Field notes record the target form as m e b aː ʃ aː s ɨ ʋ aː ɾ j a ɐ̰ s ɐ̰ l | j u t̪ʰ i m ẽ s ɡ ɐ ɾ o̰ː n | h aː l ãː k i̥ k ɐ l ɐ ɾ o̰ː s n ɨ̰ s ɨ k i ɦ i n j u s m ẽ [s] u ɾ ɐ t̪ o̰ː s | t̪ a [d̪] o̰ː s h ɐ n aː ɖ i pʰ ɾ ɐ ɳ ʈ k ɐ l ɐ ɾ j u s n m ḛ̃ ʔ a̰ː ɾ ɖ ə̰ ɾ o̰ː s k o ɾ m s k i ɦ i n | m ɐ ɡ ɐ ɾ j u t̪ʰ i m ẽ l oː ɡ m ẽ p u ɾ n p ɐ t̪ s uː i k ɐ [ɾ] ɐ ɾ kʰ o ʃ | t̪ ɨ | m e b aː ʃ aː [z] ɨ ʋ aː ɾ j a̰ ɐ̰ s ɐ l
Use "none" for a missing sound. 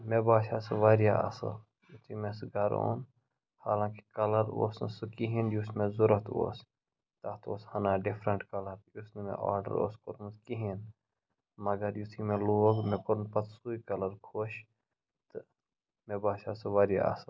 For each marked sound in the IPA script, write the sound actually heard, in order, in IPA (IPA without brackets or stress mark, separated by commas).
z, t̪, l, s